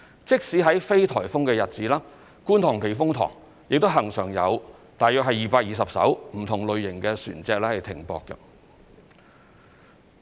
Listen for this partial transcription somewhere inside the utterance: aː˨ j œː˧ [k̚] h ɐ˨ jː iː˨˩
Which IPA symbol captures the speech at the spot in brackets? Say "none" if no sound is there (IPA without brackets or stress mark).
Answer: k̚